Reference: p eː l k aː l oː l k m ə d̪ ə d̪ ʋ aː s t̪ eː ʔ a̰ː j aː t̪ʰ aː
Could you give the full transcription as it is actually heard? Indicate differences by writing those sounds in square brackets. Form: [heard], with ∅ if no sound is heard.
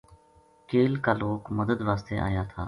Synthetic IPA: [k] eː l k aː l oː [∅] k m ə d̪ ə d̪ ʋ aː s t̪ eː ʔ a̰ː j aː t̪ʰ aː